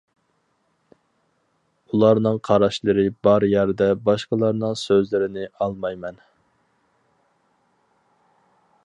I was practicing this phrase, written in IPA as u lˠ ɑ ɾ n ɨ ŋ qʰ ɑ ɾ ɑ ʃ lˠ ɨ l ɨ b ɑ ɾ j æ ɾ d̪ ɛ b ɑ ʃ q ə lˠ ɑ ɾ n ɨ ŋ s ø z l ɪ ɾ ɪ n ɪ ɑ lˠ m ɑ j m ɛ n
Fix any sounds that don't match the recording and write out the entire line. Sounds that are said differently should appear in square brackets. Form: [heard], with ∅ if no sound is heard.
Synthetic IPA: u lˠ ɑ ɾ n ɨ ŋ qʰ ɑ ɾ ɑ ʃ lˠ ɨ [ɾ] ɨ b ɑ ɾ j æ ɾ d̪ ɛ b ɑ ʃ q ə lˠ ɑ ɾ n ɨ ŋ s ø z l ɪ ɾ ɪ n ɪ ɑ lˠ m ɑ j m ɛ n